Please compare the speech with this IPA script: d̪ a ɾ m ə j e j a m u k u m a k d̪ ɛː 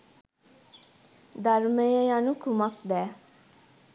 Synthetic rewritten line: d̪ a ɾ m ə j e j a n u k u m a k d̪ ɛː

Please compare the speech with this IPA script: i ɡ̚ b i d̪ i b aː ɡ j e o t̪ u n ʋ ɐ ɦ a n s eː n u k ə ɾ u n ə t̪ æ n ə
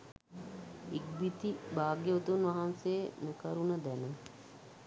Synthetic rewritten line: i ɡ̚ b i t̪ i b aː ɡ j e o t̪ u n ʋ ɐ ɦ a n s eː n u k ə ɾ u n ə d̪ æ n ə

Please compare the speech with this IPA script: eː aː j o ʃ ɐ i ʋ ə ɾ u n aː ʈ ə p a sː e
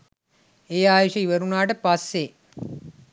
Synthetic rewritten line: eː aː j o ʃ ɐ i ʋ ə ɾ u n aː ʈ ə p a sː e

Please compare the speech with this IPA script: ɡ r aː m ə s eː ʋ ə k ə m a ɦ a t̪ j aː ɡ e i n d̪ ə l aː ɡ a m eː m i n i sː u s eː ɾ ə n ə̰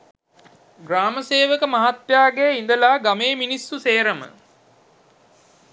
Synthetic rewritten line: ɡ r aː m ə s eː ʋ ə k ə m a ɦ a t̪ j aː ɡ e i n d̪ ə l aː ɡ a m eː m i n i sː u s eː ɾ ə m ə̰

